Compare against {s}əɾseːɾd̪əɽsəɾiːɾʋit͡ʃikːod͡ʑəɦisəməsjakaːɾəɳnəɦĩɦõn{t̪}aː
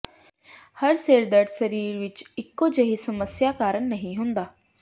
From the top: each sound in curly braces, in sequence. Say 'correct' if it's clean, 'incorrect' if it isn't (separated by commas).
incorrect, incorrect